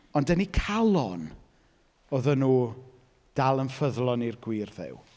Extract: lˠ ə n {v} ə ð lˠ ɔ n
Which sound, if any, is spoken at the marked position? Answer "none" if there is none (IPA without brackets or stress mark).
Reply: f